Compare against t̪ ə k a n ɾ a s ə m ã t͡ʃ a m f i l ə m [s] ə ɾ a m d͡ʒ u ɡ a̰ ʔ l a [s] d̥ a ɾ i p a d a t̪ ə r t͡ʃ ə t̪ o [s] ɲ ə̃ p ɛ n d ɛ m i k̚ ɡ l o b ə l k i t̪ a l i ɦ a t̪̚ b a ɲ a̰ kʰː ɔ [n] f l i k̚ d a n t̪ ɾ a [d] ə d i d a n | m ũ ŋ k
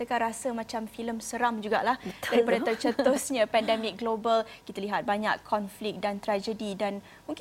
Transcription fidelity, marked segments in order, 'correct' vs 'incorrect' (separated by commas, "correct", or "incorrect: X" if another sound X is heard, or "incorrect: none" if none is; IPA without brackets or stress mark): correct, incorrect: h, correct, correct, incorrect: d͡ʒ